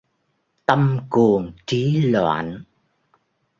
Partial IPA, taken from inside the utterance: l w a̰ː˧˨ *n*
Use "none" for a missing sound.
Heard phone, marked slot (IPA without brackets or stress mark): n